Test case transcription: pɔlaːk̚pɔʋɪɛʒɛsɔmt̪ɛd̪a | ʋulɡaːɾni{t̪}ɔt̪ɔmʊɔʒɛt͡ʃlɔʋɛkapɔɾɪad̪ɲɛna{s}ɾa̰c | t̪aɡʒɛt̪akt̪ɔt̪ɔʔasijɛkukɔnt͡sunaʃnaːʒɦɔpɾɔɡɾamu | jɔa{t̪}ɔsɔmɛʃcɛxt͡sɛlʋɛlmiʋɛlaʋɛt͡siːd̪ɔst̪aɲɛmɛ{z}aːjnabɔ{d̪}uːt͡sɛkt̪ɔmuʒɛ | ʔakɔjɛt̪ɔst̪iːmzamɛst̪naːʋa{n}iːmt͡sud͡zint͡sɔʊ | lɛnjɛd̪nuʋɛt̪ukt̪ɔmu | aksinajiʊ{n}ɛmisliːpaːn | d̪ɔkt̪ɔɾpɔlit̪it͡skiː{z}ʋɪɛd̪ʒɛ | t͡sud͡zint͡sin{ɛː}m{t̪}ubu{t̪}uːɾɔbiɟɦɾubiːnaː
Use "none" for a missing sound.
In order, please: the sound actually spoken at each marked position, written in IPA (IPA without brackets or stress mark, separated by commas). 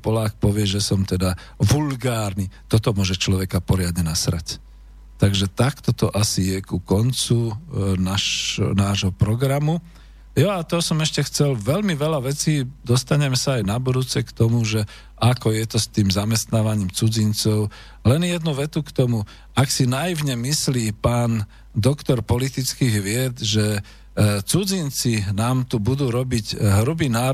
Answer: t̪, s, t̪, s, d̪, ɲ, ɲ, ɣ, aː, t̪, d̪